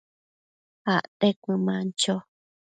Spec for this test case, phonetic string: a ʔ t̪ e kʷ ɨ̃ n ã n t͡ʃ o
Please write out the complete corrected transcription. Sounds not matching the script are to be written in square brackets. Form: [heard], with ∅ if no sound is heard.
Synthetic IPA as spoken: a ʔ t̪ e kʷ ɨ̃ [m] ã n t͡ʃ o

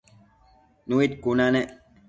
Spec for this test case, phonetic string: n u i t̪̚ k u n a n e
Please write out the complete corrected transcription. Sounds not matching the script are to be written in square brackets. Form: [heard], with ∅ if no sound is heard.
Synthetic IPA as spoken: n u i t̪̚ k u n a n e

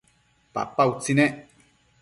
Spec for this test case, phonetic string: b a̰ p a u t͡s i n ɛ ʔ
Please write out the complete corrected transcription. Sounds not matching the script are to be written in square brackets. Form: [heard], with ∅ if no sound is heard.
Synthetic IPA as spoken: [p] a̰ p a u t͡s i n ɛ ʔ

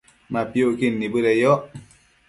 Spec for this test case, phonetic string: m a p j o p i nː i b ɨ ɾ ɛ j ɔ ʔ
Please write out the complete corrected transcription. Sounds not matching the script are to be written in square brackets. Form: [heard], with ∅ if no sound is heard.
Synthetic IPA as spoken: m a p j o [k] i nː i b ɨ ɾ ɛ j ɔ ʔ

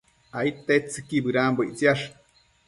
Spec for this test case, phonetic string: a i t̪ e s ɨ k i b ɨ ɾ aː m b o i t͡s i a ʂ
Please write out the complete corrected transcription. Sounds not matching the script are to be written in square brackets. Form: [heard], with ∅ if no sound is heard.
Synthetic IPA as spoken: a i t̪ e [t͡s] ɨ k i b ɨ ɾ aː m b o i t͡s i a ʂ

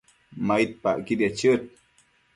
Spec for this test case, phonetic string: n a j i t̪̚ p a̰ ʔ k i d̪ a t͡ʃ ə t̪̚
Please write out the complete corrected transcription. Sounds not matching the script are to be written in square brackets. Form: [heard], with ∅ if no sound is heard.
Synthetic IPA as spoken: [m] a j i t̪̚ p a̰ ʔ k i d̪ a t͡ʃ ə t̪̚

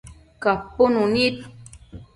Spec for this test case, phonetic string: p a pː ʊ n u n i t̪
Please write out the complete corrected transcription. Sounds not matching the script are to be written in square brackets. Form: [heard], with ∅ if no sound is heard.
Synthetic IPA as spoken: [k] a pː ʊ n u n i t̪

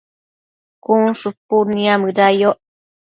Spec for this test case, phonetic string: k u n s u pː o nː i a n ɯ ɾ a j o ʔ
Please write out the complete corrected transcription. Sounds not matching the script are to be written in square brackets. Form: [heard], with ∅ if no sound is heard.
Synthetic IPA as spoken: k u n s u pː [u] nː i a [m] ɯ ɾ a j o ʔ

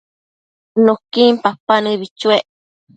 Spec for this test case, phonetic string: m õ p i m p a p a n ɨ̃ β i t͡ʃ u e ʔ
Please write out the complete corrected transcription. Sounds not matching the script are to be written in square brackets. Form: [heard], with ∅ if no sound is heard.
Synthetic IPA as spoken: [n] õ [k] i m p a p a n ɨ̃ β i t͡ʃ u e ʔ

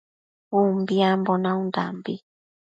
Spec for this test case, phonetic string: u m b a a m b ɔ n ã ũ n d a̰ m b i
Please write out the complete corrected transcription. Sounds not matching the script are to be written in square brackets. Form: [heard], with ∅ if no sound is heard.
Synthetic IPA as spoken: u m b [i] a m b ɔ n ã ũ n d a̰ m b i

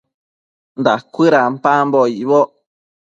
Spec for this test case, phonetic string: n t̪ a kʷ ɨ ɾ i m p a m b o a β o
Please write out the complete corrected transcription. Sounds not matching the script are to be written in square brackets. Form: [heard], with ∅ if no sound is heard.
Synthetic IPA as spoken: n [d̪] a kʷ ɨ ɾ [a] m p a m b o [i] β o

